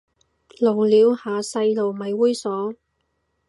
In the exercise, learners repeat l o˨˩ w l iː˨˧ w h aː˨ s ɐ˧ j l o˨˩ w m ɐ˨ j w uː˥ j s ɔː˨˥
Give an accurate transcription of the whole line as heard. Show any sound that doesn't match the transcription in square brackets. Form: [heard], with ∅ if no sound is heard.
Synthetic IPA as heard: l o˨˩ w l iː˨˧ w h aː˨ s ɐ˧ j l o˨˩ w m ɐ˨ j w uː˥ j s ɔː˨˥